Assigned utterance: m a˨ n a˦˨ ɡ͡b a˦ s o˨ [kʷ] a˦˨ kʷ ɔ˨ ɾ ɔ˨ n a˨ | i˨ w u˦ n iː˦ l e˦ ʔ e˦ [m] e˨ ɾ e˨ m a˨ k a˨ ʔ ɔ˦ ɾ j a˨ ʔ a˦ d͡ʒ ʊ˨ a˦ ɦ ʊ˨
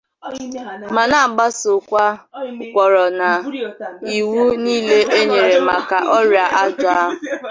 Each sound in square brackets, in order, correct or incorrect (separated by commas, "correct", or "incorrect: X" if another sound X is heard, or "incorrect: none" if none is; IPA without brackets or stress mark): correct, incorrect: ɲ